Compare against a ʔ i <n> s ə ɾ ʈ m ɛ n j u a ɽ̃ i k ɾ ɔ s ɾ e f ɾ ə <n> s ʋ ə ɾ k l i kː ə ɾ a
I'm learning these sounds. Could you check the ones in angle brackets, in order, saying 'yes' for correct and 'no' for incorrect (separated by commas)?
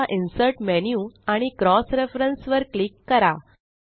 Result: yes, yes